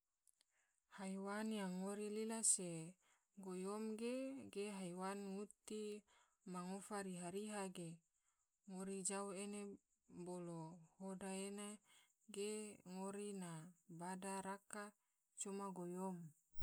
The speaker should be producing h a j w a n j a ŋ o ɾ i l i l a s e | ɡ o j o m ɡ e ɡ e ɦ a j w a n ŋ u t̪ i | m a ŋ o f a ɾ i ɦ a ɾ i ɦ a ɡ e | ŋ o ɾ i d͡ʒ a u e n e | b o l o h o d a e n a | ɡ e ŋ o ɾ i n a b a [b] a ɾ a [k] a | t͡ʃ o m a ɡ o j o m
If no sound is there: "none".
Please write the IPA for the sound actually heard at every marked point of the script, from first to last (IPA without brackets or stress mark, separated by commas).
d, k